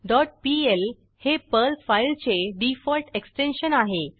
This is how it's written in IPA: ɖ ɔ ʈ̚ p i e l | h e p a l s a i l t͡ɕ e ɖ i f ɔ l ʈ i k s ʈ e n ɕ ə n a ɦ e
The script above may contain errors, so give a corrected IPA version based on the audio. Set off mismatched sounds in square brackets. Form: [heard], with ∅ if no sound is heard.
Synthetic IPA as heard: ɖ ɔ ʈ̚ p i e l | h e p [ə] l [f] a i l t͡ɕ e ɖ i f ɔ l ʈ [e] k s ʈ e n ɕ ə n a ɦ e